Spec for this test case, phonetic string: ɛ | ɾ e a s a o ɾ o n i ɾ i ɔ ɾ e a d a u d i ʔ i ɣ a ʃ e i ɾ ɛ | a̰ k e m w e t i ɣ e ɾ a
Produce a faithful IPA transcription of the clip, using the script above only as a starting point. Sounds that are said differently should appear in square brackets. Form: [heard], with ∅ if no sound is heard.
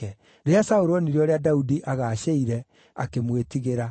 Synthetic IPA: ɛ | ɾ e a s a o ɾ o n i ɾ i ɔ ɾ e a d a u d i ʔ [a] ɣ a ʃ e i ɾ ɛ | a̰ k e m w e t i ɣ e ɾ a